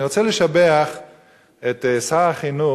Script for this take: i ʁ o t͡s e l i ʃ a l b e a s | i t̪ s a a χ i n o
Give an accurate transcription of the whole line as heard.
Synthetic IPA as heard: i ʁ o t͡s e l e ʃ a b e a χ | e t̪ s a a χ i n u